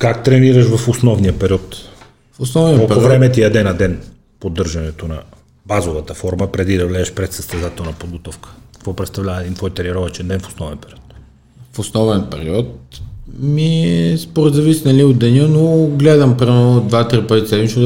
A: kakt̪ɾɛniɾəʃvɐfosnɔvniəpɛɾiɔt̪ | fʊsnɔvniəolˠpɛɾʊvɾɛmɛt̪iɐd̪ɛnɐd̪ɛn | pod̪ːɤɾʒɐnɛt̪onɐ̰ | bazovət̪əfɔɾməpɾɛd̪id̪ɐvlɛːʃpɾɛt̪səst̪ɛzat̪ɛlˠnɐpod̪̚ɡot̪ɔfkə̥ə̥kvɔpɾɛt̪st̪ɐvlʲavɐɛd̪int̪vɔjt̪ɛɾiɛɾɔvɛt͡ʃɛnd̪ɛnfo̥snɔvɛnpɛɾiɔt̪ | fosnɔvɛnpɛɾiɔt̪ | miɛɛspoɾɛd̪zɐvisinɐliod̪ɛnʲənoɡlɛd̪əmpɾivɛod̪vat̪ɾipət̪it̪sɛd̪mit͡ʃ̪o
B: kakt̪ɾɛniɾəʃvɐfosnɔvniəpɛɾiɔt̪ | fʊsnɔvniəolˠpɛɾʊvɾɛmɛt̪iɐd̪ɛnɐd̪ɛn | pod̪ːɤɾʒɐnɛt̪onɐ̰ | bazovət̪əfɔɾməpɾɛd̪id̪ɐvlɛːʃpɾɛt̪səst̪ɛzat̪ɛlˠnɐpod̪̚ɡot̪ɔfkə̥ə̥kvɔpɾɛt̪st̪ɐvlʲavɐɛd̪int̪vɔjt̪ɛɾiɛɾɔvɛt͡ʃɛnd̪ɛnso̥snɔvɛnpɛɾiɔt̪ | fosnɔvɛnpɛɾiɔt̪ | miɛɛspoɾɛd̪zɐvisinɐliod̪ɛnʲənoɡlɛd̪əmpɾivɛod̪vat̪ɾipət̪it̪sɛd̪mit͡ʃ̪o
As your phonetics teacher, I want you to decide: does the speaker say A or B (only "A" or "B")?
A